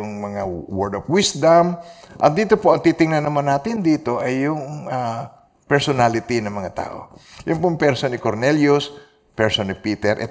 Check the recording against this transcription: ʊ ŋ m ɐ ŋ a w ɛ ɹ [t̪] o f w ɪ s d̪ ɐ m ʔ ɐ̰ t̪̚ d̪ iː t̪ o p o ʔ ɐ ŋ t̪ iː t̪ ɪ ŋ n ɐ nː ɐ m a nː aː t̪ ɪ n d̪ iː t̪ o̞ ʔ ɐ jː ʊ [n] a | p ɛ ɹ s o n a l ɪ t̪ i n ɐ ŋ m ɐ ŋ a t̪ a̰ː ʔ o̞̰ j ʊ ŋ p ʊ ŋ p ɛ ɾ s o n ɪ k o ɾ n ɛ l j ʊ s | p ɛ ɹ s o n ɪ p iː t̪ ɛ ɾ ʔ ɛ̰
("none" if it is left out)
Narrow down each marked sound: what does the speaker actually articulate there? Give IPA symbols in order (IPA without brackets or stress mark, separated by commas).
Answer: d̪, ŋ